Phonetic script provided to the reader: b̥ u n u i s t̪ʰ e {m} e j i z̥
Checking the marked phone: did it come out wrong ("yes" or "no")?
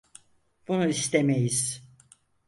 no